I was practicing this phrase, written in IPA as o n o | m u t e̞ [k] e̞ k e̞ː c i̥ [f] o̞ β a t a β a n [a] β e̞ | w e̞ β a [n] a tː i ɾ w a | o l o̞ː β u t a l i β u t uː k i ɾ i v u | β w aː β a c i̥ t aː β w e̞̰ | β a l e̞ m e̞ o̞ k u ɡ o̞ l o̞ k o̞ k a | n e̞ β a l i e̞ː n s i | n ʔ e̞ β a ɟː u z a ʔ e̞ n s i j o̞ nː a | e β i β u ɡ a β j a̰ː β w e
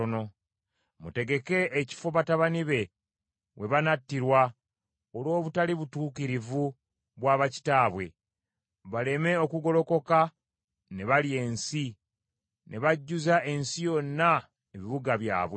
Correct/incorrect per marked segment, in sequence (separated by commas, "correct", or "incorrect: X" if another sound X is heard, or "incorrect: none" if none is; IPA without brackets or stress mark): incorrect: ɡ, correct, incorrect: i, correct